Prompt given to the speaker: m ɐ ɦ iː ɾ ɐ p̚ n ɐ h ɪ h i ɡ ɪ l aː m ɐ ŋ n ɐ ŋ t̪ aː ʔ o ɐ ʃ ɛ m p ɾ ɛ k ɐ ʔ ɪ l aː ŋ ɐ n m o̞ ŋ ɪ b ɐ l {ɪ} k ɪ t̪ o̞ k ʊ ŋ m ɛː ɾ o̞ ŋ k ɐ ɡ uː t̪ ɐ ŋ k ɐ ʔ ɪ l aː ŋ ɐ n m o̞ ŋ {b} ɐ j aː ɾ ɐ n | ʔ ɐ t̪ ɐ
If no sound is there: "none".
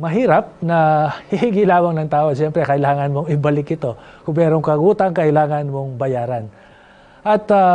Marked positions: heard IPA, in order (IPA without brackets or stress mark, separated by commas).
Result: ɪ, b